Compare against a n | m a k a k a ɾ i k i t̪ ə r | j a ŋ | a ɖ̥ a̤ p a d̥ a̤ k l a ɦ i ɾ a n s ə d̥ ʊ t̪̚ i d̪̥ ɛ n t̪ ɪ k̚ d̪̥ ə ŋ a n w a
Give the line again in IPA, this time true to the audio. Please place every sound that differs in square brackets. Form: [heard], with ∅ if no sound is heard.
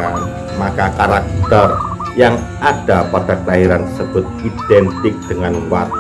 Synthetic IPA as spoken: a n | m a k a k a ɾ [a] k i t̪ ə r | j a ŋ | a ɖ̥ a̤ p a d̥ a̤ k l a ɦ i ɾ a n s ə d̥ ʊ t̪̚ i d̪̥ ɛ n t̪ ɪ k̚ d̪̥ ə ŋ a n w a

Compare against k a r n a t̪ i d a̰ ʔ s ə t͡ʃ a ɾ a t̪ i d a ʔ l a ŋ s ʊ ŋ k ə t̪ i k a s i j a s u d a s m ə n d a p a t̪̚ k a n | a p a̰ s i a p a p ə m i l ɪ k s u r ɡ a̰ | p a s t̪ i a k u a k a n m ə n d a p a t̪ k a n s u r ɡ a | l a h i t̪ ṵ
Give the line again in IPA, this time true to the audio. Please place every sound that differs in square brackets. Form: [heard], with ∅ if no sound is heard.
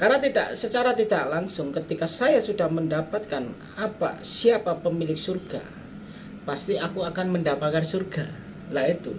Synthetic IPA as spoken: k a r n a t̪ i d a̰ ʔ s ə t͡ʃ a ɾ a t̪ i d a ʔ l a ŋ s ʊ ŋ k ə t̪ i k a s [a] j a s u d a [h] m ə n d a p a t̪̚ k a n | a p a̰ s i a p a p ə m i l ɪ k s u r ɡ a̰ | p a s t̪ i a k u a k a n m ə n d a p a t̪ k a n s u r ɡ a | l a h i t̪ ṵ

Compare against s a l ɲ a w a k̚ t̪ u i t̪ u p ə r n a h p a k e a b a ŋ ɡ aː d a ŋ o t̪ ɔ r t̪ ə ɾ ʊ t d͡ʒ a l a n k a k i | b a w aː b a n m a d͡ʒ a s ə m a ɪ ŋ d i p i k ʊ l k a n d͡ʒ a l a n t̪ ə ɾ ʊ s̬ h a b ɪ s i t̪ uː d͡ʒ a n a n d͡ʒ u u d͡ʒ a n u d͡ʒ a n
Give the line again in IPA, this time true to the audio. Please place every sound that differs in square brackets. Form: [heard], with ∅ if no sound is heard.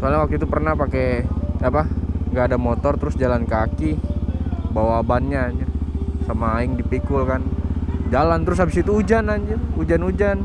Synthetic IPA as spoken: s a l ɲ a w a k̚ t̪ u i t̪ u p ə r n a h p a k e a [p] a ŋ ɡ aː d a [m] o t̪ ɔ r t̪ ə ɾ ʊ [s] d͡ʒ a l a n k a k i | b a w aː b a n [ɲ] a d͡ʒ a s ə m a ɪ ŋ d i p i k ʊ l k a n d͡ʒ a l a n t̪ ə ɾ ʊ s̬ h a b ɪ s i t̪ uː d͡ʒ a n a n d͡ʒ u u d͡ʒ a n u d͡ʒ a n

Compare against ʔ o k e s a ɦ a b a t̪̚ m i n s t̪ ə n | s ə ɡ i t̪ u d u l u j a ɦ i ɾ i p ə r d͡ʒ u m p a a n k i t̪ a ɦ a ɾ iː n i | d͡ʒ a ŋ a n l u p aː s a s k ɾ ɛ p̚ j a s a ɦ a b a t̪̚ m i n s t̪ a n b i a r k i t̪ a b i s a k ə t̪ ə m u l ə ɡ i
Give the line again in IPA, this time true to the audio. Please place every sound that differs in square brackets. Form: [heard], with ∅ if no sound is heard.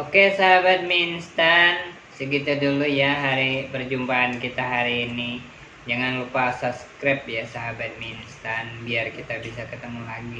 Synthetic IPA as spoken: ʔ o k e s a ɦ a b a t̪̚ m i n s t̪ [a] n | s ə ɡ i t̪ u d u l u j a ɦ [a] ɾ i p ə r d͡ʒ u m p a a n k i t̪ a ɦ a ɾ iː n i | d͡ʒ a ŋ a n l u p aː s a s k ɾ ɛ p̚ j a s a ɦ a b a t̪̚ m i n s t̪ a n b i a r k i t̪ a b i s a k ə t̪ ə m u l [a] ɡ i

